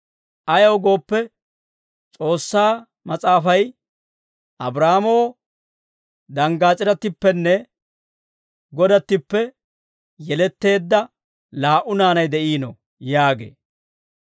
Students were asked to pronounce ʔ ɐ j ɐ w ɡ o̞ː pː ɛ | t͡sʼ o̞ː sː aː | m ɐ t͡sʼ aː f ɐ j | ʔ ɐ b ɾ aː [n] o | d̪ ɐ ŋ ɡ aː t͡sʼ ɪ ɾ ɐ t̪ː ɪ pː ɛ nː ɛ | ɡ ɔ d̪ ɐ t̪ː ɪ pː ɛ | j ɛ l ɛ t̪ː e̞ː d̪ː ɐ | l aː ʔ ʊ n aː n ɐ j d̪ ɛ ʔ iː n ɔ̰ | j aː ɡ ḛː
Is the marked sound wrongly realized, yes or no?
yes